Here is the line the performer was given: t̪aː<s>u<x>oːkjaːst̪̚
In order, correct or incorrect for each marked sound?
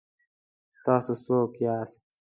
correct, incorrect: s

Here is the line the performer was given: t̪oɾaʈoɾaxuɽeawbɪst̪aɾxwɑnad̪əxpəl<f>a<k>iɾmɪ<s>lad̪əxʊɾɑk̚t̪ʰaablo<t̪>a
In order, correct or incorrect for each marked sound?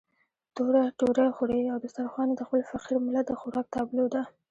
correct, incorrect: q, incorrect: none, incorrect: d̪

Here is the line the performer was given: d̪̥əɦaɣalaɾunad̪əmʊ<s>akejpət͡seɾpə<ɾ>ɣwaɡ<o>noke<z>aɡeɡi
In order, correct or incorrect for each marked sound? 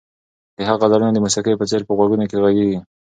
correct, incorrect: none, incorrect: u, incorrect: ɣ

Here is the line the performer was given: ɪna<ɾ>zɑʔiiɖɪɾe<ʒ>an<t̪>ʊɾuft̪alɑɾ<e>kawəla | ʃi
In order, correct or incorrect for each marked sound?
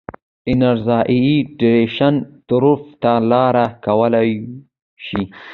correct, incorrect: ʃ, correct, incorrect: a

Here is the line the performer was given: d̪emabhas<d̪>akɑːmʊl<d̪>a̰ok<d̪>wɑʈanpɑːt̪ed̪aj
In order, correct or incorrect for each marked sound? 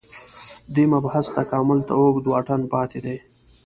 incorrect: t̪, incorrect: t̪, correct

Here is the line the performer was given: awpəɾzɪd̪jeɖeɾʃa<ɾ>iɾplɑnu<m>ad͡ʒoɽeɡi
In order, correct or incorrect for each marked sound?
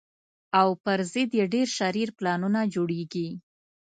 correct, incorrect: n

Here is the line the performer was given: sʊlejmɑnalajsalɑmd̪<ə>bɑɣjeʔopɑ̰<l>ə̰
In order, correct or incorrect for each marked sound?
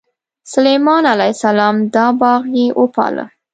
incorrect: ɑ, correct

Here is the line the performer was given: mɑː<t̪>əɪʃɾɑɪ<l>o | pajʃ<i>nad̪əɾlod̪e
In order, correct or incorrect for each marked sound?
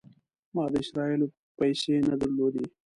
incorrect: d̪, correct, incorrect: e

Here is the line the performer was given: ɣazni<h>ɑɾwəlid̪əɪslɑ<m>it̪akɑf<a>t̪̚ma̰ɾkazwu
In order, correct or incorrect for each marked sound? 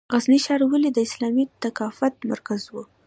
incorrect: ʃ, correct, correct

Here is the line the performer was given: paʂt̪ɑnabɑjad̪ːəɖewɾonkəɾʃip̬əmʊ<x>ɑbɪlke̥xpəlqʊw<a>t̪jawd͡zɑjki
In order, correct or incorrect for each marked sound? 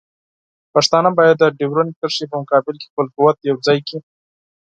incorrect: k, correct

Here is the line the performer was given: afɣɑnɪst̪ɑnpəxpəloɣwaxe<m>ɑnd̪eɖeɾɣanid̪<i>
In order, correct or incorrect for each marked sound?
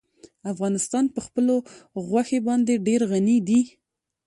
incorrect: b, correct

